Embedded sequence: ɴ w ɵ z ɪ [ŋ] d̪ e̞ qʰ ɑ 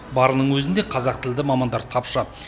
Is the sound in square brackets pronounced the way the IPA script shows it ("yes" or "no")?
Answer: no